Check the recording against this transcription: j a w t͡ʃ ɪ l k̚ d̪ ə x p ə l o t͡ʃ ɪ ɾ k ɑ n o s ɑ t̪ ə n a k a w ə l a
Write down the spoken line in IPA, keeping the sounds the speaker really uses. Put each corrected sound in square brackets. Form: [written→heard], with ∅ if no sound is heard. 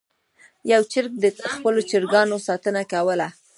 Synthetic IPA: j a w t͡ʃ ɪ [l→ɾ] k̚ d̪ ə x p ə l o t͡ʃ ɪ ɾ [k→ɡ] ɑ n o s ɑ t̪ ə n a k a w ə l a

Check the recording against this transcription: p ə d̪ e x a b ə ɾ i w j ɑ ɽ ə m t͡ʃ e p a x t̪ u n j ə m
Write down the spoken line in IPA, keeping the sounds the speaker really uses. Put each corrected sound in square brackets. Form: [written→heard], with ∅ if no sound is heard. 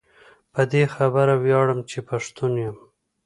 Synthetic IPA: p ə d̪ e x a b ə ɾ [i→a] w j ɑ ɽ ə m t͡ʃ e p a [x→ʂ] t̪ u n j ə m

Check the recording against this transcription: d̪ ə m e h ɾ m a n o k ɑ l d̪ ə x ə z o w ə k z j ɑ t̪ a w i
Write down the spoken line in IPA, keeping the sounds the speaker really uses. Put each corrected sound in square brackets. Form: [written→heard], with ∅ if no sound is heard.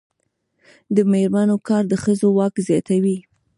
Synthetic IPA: d̪ ə m e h ɾ m a n o k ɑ [l→ɾ] d̪ ə x ə z o w [ə→ɑ] k z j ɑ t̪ a w i

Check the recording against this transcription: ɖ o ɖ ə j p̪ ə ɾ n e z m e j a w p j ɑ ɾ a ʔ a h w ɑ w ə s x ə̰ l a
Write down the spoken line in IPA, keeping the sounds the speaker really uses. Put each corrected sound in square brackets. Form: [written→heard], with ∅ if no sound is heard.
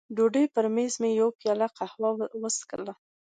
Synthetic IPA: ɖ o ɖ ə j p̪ ə ɾ [n→m] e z m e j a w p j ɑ [ɾ→l] a [ʔ→q] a h w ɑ w ə s [x→k] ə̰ l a

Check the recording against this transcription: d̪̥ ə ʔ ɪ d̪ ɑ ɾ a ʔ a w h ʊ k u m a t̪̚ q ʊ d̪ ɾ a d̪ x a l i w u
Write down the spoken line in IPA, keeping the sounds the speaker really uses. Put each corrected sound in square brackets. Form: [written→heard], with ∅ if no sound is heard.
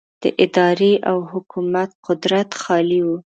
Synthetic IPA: d̪̥ ə ʔ ɪ d̪ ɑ ɾ [a→e] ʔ a w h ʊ k u m a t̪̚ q ʊ d̪ ɾ a [d̪→t̪] x [a→ɑ] l i w u

